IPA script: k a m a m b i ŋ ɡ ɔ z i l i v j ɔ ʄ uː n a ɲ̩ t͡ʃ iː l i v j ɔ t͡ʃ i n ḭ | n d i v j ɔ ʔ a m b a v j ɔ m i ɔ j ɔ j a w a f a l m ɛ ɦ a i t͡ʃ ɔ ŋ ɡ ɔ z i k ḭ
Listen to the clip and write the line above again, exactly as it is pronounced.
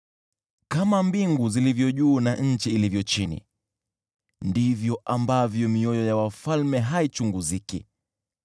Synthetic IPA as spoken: k a m a m b i ŋ ɡ u z i l i v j ɔ ʄ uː n a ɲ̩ t͡ʃ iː l i v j ɔ t͡ʃ i n ḭ | n d i v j ɔ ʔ a m b a v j ɔ m i ɔ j ɔ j a w a f a l m ɛ ɦ a i t͡ʃ u ŋ ɡ u z i k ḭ